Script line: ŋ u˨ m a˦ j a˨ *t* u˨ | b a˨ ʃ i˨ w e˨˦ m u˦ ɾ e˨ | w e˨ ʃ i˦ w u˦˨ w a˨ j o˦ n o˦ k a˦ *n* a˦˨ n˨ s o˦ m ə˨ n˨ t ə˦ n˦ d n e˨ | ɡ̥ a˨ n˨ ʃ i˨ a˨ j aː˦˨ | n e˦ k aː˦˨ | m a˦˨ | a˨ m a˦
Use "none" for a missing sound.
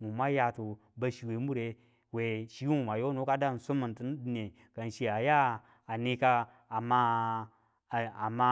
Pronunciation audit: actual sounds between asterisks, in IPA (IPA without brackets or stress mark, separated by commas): t, d